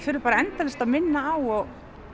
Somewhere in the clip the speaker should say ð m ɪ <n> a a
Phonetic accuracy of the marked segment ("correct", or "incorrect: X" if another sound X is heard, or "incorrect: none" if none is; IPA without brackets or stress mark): incorrect: nː